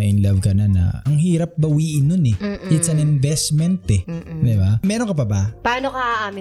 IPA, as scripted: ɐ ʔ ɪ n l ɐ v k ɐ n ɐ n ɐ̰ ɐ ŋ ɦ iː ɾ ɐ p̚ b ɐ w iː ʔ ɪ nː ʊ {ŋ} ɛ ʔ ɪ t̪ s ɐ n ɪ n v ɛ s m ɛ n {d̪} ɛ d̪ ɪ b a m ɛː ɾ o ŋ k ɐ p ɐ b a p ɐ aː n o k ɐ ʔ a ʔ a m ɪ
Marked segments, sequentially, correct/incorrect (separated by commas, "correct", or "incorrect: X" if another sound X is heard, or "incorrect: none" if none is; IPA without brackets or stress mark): incorrect: n, incorrect: t̪